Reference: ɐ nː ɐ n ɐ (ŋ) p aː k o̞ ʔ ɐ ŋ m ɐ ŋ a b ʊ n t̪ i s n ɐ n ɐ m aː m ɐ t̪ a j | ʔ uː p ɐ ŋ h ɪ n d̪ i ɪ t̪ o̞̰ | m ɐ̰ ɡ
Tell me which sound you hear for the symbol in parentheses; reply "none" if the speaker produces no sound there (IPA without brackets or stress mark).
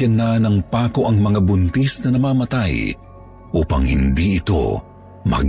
ŋ